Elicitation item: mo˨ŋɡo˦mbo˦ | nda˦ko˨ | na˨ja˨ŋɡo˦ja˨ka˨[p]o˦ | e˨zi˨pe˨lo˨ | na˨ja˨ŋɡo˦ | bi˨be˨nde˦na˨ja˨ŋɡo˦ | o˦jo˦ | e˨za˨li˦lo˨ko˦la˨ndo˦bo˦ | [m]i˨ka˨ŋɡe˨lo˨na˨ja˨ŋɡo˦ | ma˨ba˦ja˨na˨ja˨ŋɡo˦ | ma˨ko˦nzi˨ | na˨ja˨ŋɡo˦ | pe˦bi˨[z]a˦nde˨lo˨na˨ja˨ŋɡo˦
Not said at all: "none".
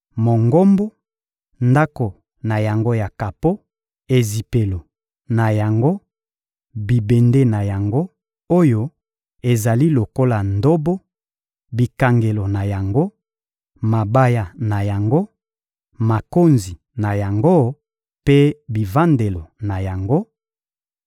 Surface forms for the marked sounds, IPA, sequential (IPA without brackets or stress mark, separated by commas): p, b, v